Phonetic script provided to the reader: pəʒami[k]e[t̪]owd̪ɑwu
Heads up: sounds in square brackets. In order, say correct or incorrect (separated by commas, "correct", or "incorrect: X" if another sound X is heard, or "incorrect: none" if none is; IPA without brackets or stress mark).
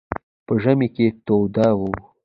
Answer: correct, correct